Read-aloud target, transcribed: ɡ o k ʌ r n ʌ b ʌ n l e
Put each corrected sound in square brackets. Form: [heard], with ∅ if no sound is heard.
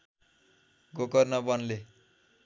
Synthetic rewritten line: ɡ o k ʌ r n ʌ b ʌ n l e